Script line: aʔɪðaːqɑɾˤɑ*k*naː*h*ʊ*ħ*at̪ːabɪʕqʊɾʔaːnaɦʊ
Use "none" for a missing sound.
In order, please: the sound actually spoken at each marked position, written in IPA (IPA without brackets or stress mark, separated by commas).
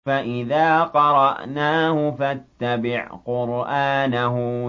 ʔ, h, f